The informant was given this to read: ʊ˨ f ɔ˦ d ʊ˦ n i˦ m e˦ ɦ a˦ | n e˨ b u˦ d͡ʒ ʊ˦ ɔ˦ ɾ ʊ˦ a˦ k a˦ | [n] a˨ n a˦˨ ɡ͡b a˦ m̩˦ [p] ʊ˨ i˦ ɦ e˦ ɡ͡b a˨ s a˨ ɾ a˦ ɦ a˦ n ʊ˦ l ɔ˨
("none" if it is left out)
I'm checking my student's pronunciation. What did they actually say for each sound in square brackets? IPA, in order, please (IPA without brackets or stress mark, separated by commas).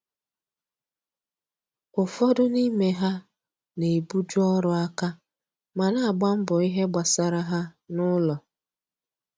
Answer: m, b